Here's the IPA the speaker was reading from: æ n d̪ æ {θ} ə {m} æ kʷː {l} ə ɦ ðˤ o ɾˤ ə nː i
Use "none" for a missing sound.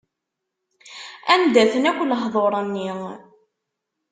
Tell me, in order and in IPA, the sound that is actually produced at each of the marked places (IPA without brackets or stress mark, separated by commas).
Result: θ, n, l